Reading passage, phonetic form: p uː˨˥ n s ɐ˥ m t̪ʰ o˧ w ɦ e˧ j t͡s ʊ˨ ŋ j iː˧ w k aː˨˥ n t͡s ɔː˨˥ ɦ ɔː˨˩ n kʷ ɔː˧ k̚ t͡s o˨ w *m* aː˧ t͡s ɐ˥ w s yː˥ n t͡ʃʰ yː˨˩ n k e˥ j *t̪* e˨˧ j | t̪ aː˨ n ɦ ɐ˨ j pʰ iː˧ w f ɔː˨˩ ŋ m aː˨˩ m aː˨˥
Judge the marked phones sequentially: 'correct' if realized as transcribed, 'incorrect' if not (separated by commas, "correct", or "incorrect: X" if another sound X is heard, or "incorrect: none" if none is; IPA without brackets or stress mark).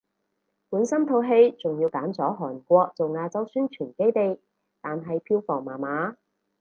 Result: incorrect: ŋ, correct